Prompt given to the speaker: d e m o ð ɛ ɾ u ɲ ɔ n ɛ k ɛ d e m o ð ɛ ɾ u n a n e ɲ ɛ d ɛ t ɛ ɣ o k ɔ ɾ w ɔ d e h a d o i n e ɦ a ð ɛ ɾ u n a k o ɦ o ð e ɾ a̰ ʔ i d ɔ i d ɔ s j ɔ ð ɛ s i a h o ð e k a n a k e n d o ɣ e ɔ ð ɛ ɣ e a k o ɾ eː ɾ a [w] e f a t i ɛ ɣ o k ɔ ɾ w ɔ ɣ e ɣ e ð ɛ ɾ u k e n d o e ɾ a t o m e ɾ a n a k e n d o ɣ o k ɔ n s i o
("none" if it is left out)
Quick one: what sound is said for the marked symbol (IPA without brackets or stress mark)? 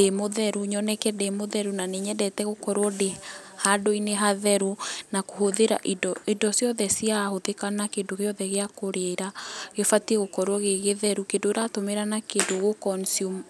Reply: ɣ